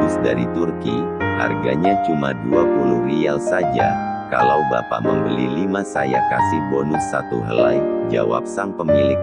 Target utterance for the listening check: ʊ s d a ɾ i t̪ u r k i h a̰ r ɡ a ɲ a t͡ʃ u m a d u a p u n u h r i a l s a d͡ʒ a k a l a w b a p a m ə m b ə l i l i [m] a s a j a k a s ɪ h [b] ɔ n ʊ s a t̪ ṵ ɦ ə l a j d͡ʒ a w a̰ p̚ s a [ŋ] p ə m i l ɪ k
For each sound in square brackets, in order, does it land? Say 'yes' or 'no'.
yes, yes, yes

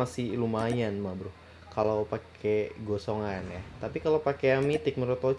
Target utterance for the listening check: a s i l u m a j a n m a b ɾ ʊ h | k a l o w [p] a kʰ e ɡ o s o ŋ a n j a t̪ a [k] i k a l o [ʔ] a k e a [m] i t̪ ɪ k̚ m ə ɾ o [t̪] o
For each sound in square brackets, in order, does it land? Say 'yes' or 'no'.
yes, no, no, yes, yes

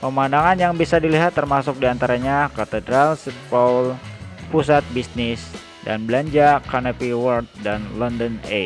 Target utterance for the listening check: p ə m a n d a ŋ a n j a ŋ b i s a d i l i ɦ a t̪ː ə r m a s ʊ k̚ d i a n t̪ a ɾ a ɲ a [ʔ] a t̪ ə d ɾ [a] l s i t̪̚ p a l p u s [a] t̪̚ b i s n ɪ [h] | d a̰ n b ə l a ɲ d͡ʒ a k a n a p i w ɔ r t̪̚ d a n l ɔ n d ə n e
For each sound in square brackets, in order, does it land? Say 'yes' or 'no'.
no, yes, yes, no

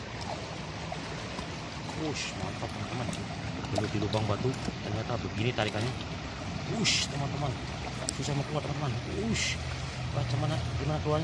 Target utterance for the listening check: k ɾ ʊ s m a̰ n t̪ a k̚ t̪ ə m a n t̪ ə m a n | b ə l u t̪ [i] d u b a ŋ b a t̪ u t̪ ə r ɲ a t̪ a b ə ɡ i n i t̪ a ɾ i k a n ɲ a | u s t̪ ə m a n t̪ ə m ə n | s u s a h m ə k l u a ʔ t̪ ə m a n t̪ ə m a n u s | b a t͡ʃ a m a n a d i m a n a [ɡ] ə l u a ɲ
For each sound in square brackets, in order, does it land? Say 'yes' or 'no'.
yes, no

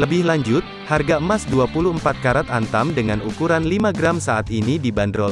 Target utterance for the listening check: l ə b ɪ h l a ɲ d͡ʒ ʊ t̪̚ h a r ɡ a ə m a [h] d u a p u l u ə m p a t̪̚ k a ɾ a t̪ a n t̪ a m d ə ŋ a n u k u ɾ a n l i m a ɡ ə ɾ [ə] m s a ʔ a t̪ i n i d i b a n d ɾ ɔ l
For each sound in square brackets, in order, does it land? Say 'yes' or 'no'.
no, no

